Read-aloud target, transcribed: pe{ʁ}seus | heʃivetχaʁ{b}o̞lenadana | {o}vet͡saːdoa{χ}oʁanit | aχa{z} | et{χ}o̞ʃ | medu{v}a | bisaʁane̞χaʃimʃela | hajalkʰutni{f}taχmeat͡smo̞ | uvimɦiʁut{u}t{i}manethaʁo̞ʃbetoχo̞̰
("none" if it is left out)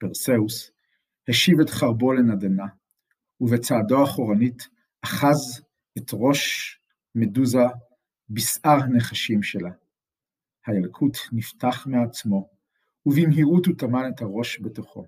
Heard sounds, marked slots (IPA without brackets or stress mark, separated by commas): ʁ, b, u, χ, z, ʁ, z, f, u, a